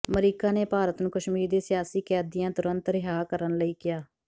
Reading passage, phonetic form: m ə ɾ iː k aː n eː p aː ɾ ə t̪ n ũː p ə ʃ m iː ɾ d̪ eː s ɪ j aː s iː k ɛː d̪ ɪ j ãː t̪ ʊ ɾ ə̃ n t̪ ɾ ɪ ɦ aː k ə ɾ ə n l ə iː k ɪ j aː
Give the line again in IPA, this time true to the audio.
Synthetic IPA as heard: m ə ɾ iː k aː n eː p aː ɾ ə t̪ n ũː k ə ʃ m iː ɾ d̪ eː s ɪ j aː s iː k ɛː d̪ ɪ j ãː t̪ ʊ ɾ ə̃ n t̪ ɾ ɪ ɦ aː k ə ɾ ə n l ə iː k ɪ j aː